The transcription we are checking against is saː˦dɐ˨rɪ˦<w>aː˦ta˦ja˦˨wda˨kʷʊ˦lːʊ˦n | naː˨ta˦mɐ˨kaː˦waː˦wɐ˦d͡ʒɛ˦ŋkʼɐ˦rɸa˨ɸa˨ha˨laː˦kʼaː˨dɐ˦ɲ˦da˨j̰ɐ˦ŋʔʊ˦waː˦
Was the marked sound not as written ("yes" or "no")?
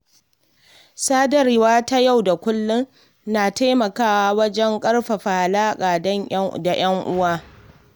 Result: no